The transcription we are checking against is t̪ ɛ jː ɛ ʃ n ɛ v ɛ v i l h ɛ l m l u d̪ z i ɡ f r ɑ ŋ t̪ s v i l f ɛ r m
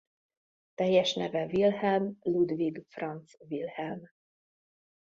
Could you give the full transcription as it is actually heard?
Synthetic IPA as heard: t̪ ɛ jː ɛ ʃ n ɛ v ɛ v i l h ɛ l m l u d̪ v i ɡ f r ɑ n t̪ s v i l h ɛ l m

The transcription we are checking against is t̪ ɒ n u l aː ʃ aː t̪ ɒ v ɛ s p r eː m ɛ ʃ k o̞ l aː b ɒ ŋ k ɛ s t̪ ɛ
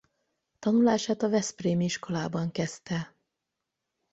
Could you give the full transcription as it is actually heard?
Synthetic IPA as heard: t̪ ɒ n u l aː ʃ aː t̪ ɒ v ɛ s p r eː m i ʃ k o̞ l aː b ɒ ŋ k ɛ s t̪ ɛ

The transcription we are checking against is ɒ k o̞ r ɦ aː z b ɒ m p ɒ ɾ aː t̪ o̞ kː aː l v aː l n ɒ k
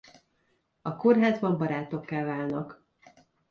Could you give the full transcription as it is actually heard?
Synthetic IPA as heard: ɒ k o̞ r ɦ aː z b ɒ m b ɒ ɾ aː t̪ o̞ kː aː l v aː l n ɒ k

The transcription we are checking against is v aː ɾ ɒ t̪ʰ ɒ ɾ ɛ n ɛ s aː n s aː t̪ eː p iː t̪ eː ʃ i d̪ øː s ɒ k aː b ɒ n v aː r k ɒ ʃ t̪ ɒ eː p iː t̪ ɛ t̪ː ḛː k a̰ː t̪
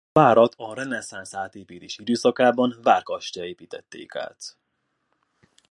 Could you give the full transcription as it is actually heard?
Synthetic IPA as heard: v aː ɾ ɒ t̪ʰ ɒ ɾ ɛ n ɛ s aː n s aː t̪ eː p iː t̪ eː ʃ i d̪ øː s ɒ k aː b ɒ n v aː r k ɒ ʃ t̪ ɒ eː p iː t̪ ɛ t̪ː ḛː k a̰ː t̪

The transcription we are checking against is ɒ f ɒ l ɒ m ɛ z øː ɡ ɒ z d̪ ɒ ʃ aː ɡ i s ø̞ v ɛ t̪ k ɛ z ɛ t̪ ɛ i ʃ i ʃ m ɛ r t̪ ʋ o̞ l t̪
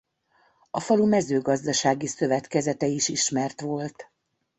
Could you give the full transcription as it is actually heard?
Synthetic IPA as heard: ɒ f ɒ l u m ɛ z øː ɡ ɒ z d̪ ɒ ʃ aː ɡ i s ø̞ v ɛ t̪ k ɛ z ɛ t̪ ɛ i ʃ i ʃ m ɛ r t̪ ʋ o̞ l t̪

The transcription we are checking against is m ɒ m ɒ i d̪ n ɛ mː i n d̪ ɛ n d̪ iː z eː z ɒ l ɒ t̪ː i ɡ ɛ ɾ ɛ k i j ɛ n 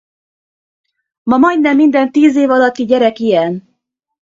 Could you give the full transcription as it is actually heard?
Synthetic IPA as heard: m ɒ m ɒ j d̪ n ɛ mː i n d̪ ɛ n t̪ iː z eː v ɒ l ɒ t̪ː i ɟ ɛ ɾ ɛ k i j ɛ n

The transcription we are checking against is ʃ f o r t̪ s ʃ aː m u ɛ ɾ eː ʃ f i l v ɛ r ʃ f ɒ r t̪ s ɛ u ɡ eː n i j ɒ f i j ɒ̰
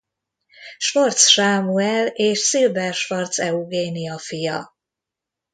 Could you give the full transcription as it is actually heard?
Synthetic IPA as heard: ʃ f o r t̪ s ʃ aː m u ɛ l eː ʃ s i l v ɛ r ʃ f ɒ r t̪ s ɛ u ɡ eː n i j ɒ f i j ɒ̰

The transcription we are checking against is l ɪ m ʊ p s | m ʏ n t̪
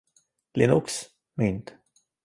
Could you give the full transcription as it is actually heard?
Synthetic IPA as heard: l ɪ n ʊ k s | m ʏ n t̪

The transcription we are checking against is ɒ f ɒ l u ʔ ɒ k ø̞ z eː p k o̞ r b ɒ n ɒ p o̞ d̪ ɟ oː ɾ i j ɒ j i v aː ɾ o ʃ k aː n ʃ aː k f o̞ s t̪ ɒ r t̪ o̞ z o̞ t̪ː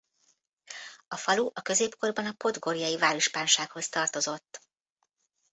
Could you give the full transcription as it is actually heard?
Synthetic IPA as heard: ɒ f ɒ l u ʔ ɒ k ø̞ z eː p k o̞ r b ɒ n ɒ p o̞ d̪ ɡ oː ɾ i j ɒ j i v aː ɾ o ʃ p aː n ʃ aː k h o̞ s t̪ ɒ r t̪ o̞ z o̞ t̪ː

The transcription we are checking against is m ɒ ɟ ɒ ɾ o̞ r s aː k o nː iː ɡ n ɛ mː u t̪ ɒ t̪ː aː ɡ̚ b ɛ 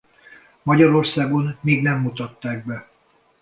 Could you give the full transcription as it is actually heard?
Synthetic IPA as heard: m ɒ ɟ ɒ ɾ o̞ r s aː ɡ o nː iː ɡ n ɛ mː u t̪ ɒ t̪ː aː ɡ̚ b ɛ

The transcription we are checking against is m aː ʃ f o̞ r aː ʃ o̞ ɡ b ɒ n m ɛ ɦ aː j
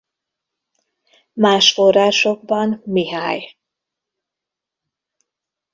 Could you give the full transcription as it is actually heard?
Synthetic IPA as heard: m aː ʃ f o̞ r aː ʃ o̞ ɡ b ɒ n m i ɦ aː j

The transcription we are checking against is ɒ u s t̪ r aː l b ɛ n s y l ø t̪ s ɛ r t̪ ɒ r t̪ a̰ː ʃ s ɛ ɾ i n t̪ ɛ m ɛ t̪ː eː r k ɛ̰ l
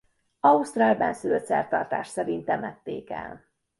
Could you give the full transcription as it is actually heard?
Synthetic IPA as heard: ɒ u s t̪ r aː l b ɛ n s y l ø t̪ s ɛ r t̪ ɒ r t̪ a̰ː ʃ s ɛ ɾ i n t̪ ɛ m ɛ t̪ː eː k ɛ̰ l

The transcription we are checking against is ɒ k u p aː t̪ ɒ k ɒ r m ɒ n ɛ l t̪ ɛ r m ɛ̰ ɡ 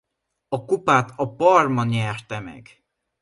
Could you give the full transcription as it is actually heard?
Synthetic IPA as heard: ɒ k u p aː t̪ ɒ p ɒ r m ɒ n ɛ r t̪ ɛ m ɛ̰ ɡ

